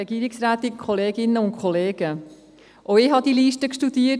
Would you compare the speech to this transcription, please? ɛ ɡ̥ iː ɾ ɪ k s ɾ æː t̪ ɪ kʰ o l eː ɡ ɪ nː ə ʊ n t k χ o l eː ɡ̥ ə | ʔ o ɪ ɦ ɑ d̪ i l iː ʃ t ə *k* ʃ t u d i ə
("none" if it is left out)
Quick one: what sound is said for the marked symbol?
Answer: k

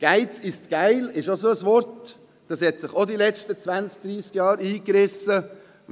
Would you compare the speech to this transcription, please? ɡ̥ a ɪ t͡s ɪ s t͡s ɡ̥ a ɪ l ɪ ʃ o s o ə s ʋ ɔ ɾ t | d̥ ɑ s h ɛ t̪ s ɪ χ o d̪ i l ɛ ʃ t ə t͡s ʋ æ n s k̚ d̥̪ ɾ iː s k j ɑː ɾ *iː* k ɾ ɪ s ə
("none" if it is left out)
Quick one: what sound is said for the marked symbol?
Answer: iː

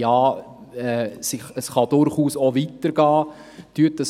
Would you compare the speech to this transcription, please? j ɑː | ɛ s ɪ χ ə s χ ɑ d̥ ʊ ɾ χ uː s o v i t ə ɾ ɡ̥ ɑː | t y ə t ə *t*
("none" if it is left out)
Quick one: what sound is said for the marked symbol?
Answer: s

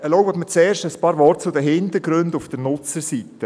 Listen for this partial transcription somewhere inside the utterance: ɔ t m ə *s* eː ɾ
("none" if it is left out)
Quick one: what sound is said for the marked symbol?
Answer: t͡s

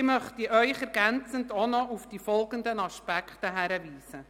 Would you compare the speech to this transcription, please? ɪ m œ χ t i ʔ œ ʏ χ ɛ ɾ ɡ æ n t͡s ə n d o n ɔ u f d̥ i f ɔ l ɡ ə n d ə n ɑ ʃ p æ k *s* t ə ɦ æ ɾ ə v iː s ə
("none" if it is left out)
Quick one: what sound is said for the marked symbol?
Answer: χ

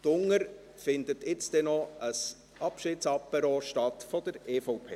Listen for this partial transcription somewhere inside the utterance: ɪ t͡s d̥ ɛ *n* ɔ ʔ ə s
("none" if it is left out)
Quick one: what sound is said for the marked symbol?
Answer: n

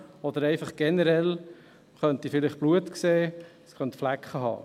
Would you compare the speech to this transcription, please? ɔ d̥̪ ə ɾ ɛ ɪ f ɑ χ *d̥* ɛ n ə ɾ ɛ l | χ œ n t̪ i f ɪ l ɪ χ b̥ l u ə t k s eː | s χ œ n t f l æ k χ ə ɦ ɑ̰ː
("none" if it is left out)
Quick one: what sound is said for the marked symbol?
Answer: ɡ̥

